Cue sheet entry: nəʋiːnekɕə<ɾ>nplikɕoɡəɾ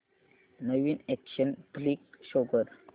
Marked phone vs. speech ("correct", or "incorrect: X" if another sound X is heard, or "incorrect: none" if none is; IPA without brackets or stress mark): incorrect: none